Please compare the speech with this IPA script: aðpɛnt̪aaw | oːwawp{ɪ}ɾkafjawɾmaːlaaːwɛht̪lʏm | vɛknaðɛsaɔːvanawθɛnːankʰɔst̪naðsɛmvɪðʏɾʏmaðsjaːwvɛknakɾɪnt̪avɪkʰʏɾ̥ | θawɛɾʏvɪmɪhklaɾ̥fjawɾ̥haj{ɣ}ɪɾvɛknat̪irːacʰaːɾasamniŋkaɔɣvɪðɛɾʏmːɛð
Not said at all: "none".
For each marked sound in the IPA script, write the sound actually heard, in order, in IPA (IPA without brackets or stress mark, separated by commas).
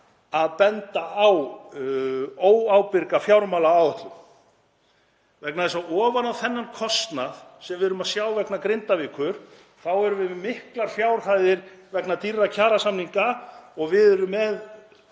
ɪ, ð